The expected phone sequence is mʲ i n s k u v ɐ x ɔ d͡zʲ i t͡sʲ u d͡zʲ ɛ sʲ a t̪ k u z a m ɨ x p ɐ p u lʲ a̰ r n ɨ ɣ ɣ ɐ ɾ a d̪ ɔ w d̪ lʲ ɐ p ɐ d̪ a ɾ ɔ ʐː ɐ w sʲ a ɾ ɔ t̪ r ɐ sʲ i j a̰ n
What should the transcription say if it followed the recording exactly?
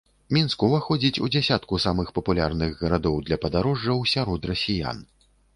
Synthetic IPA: mʲ i n s k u v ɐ x ɔ d͡zʲ i t͡sʲ u d͡zʲ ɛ sʲ a t̪ k u s a m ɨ x p ɐ p u lʲ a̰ r n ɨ ɣ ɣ ɐ ɾ a d̪ ɔ w d̪ lʲ ɐ p ɐ d̪ a ɾ ɔ ʐː ɐ w sʲ a ɾ ɔ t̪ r ɐ sʲ i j a̰ n